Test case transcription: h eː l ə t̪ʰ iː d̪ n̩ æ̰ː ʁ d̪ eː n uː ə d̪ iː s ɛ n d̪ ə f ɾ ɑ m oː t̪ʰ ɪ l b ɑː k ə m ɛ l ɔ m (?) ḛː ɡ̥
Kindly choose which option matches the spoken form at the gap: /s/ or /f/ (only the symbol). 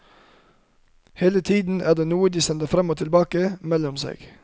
s